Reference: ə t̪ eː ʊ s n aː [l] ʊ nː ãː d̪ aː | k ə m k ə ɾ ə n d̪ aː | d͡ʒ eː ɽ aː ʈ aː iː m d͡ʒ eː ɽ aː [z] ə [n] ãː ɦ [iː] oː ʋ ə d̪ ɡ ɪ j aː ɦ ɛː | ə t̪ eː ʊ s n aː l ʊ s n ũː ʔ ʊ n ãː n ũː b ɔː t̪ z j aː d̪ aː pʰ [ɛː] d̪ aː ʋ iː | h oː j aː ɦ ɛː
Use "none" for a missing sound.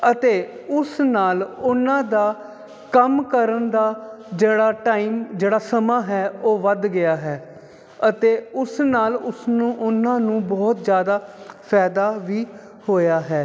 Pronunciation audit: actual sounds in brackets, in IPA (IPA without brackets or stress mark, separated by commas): l, s, m, ɛː, ɛː